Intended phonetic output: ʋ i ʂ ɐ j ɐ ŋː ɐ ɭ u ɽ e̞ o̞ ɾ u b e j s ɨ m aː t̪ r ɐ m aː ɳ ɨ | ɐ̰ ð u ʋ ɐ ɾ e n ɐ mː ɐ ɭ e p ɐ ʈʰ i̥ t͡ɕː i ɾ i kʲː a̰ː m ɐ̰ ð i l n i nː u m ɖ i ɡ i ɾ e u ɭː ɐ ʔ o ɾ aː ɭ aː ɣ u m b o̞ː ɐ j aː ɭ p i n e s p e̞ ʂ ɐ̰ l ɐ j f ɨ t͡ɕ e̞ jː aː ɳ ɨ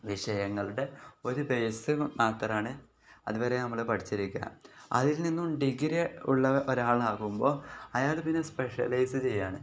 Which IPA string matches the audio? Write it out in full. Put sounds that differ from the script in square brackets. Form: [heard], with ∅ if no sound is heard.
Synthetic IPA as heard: ʋ i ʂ ɐ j ɐ ŋː ɐ ɭ u ɽ e̞ o̞ ɾ u b e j s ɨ m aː t̪ r ɐ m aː ɳ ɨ | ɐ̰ ð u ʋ ɐ ɾ e n ɐ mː ɐ ɭ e p ɐ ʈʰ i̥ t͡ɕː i ɾ i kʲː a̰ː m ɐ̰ ð i l n i nː u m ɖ i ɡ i ɾ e u ɭː ɐ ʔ o ɾ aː ɭ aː ɣ u m b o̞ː ɐ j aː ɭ p i [nː] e s p e̞ ʂ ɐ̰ l ɐ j [s] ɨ t͡ɕ e̞ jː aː ɳ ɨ